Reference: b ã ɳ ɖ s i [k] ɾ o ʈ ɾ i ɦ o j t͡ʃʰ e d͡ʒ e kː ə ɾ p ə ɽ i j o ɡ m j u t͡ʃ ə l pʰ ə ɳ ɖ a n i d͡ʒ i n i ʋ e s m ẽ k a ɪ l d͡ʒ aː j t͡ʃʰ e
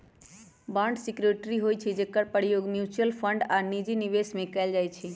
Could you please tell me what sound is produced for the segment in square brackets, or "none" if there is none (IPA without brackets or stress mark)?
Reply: k